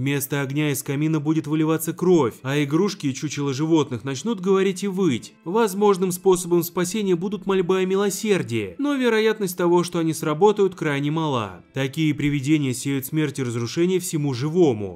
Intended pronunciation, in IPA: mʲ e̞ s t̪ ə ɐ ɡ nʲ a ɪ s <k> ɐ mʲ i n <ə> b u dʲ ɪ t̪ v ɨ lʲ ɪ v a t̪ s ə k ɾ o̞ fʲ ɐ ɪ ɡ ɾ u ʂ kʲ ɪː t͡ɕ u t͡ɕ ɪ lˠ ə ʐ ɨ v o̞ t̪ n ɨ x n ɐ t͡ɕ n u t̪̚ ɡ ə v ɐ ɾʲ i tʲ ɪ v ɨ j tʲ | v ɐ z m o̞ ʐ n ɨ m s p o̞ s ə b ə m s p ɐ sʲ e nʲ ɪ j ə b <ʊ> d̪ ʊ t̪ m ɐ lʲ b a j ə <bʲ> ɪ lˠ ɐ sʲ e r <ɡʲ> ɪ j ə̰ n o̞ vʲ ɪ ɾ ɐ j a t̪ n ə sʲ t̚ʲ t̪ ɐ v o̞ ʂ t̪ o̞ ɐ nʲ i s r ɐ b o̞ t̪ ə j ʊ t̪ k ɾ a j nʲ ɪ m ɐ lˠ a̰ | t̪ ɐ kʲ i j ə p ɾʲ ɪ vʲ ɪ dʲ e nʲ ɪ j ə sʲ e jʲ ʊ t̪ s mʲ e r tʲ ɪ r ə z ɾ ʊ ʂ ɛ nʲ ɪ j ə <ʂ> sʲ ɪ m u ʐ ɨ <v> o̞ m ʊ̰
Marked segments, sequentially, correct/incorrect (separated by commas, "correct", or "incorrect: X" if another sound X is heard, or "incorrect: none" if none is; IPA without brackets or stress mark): correct, correct, incorrect: u, incorrect: mʲ, incorrect: dʲ, incorrect: f, correct